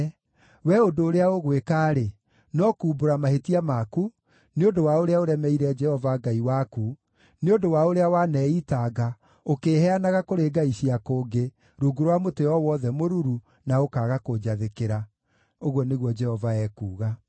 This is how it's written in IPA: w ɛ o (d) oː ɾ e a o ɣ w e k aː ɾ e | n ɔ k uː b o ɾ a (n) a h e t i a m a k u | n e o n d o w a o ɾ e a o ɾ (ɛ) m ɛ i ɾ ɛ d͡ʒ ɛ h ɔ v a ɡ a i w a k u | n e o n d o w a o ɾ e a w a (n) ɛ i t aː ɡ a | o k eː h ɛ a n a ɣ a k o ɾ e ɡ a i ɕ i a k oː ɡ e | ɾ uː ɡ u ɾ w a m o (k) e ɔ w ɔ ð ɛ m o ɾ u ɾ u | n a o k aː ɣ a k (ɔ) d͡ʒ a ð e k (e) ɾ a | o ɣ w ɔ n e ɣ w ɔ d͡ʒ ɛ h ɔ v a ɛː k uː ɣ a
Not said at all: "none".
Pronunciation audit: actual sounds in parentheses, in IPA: d, m, ɛ, n, t, o, e

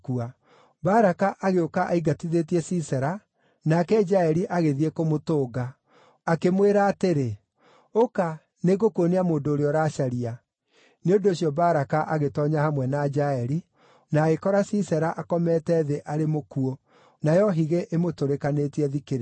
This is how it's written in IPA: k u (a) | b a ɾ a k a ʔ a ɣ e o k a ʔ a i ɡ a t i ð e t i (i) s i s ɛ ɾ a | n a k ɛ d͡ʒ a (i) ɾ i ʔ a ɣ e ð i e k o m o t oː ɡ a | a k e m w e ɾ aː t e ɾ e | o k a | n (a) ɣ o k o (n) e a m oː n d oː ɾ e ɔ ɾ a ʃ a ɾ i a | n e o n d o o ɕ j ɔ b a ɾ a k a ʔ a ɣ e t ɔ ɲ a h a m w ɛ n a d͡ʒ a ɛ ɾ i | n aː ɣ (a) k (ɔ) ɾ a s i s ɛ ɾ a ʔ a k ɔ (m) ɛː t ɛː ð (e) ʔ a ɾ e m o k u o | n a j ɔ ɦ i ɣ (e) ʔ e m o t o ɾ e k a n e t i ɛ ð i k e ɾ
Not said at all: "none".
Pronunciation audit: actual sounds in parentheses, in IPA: a, ɛ, ɛ, e, n, e, ɔ, m, e, e

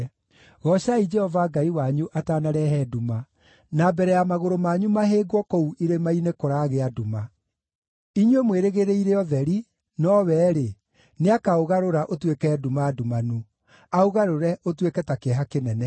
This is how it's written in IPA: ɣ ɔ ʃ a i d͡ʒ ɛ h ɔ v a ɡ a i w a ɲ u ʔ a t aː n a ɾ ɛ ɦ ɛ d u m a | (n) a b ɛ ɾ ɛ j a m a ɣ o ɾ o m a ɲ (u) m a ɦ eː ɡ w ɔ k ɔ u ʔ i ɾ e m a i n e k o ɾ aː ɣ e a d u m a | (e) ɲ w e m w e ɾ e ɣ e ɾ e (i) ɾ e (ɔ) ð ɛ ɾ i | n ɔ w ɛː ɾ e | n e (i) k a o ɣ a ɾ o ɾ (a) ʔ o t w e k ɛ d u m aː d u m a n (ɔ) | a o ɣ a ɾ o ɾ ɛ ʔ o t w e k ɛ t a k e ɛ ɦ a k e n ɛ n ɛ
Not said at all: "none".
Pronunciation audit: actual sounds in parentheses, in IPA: n, u, i, i, ɔ, a, a, u

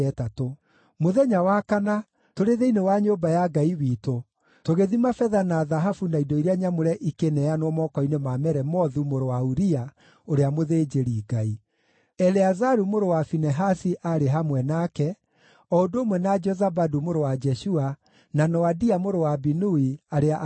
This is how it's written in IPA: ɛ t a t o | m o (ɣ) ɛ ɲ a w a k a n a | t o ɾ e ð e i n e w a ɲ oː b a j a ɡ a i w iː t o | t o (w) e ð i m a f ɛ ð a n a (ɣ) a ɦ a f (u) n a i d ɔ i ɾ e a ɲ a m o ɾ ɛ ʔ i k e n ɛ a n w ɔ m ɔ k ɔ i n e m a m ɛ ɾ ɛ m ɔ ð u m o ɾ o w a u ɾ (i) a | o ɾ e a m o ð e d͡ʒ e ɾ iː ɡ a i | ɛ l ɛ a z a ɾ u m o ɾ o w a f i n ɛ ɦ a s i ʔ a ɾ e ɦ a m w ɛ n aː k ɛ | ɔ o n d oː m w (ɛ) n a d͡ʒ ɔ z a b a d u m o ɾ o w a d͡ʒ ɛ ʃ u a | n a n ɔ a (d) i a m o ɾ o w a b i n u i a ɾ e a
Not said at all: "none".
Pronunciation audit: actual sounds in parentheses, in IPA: ð, ɣ, ð, u, i, ɛ, d

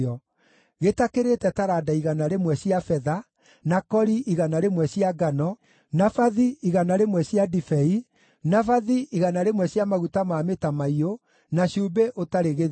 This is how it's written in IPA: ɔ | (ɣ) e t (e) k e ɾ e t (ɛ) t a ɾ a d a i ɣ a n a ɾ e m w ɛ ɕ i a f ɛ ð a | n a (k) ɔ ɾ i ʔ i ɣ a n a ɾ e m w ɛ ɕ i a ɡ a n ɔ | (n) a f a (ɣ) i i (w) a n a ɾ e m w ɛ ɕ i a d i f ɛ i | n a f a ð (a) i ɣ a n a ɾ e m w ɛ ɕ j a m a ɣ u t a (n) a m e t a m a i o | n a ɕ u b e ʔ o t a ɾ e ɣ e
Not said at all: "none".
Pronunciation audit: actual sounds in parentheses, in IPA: ɣ, a, ɛ, k, n, ð, ɣ, i, m

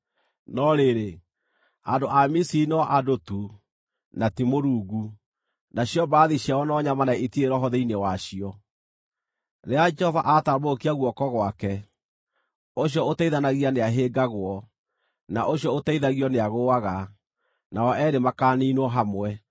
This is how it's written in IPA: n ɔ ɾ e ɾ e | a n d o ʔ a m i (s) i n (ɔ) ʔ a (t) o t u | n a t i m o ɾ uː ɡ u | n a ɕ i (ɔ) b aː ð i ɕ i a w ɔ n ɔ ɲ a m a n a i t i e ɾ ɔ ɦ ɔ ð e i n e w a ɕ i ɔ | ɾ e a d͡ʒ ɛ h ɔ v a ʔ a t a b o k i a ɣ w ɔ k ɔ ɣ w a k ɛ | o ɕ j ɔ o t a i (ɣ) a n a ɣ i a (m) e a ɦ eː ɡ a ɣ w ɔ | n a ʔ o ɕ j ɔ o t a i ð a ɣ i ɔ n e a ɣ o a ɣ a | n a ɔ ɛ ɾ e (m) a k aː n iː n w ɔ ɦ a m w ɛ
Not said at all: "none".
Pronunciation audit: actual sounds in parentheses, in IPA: s, ɔ, d, ɔ, ð, n, m

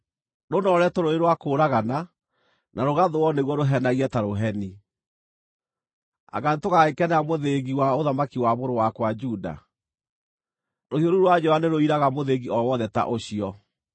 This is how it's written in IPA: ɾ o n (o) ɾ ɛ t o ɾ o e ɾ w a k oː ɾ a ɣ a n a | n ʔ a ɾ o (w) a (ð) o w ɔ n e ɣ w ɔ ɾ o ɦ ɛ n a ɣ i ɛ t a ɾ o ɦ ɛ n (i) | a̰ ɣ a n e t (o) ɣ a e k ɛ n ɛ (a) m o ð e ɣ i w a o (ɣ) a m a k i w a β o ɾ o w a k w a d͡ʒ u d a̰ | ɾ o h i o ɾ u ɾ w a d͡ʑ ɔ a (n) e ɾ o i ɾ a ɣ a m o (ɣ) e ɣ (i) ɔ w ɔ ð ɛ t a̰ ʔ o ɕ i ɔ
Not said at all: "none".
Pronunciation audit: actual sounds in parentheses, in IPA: ɔ, ɣ, ð, i, o, a, ð, n, ð, i

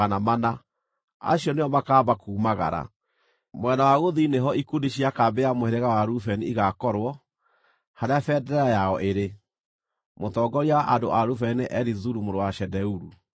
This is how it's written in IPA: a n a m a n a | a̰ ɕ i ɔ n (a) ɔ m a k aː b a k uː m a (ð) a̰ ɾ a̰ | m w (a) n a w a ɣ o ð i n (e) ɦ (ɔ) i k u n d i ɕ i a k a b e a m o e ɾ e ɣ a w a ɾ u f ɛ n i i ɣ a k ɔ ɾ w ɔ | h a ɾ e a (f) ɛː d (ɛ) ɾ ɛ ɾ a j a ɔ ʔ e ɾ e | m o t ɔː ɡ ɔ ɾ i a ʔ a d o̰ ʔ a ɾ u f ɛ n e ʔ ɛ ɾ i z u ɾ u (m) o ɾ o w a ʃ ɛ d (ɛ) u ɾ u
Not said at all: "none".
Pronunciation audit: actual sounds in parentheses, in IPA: e, ɣ, ɛ, e, ɔ, f, ɛ, m, ɛ

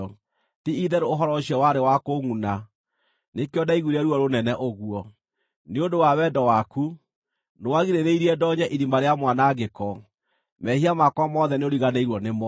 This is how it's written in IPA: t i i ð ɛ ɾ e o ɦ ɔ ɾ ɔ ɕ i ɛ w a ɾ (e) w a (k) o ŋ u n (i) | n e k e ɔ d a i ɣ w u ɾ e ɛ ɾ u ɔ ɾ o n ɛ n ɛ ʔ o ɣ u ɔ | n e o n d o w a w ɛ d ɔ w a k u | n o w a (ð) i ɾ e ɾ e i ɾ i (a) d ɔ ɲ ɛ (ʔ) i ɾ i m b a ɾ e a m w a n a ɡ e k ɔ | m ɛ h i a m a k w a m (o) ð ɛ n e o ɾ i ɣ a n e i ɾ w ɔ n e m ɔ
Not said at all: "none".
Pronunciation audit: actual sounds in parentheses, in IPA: e, k, a, ɣ, ɛ, ʔ, ɔ

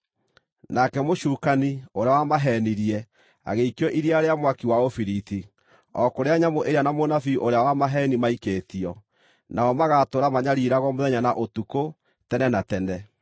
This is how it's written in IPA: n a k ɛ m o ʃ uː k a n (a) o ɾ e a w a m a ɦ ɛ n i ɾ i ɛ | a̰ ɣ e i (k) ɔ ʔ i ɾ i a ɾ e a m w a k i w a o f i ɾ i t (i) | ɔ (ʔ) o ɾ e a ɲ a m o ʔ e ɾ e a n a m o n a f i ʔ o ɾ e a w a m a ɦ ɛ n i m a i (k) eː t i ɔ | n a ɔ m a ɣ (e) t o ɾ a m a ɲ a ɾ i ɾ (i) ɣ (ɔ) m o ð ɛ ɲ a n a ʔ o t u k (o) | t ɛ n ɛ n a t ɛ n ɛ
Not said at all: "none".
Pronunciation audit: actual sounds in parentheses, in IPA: i, k, i, k, k, a, a, ɔ, o

